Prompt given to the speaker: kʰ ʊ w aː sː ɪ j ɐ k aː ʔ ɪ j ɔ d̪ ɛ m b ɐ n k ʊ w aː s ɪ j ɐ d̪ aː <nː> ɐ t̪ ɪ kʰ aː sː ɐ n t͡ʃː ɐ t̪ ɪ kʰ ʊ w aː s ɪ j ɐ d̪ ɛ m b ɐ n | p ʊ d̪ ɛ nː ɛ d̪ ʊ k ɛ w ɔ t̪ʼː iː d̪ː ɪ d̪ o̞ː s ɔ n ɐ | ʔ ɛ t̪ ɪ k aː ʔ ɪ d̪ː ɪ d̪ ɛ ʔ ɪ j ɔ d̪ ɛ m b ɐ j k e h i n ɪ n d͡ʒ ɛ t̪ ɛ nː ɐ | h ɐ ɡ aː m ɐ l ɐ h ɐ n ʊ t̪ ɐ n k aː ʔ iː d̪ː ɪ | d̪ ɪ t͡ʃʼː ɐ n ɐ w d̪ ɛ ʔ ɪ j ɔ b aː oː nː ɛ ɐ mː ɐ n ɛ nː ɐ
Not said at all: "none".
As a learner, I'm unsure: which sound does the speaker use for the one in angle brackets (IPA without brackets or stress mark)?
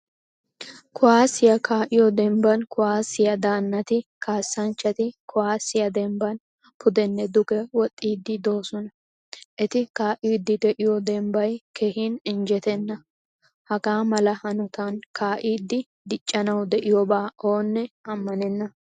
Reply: nː